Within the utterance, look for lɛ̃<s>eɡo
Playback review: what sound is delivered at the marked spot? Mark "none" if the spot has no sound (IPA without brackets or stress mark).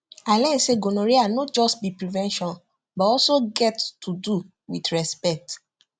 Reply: s